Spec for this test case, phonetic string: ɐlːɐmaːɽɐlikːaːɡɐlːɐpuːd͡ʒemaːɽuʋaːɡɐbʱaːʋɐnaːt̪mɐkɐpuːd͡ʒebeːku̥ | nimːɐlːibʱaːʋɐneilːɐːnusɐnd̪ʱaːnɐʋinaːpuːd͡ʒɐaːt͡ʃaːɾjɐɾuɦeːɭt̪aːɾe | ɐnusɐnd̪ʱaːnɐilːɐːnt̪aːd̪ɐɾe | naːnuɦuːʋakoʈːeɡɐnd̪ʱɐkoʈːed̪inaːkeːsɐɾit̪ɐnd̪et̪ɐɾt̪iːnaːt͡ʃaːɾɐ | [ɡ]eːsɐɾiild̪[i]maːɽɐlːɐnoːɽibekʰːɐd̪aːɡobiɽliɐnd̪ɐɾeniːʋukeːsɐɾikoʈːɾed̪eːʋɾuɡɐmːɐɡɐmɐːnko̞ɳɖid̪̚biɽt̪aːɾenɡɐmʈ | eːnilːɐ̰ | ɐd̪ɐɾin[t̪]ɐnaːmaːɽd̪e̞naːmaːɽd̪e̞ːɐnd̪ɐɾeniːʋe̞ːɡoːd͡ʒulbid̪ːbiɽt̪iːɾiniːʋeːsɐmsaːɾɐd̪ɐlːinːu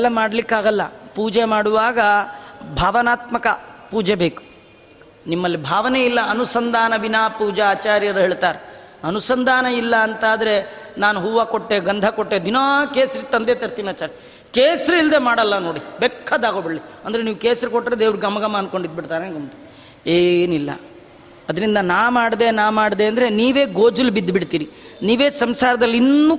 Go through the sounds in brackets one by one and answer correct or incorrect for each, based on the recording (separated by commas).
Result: incorrect, incorrect, incorrect